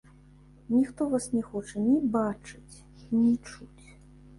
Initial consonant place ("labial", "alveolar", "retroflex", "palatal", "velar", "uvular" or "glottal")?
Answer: alveolar